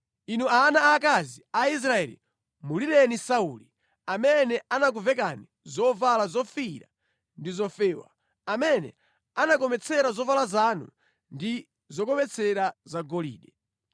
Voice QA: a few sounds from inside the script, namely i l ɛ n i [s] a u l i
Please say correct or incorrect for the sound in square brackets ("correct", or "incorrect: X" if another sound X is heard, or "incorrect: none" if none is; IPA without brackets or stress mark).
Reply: correct